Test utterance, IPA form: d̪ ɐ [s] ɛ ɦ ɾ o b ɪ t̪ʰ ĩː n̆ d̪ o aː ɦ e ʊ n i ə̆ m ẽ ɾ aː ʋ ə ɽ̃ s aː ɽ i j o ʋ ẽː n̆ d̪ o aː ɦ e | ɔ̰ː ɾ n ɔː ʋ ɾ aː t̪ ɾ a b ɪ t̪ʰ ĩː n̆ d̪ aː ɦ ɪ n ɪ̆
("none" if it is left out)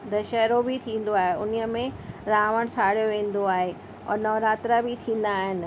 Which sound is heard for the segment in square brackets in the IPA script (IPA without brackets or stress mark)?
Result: ʃ